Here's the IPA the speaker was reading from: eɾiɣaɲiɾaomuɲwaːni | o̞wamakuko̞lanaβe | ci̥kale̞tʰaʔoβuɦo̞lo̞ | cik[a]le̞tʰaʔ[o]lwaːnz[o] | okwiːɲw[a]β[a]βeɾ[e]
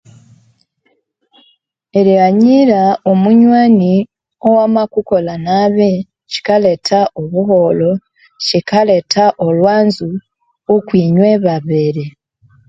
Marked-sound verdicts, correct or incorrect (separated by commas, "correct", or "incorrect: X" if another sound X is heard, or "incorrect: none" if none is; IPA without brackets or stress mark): correct, correct, incorrect: u, incorrect: e, correct, correct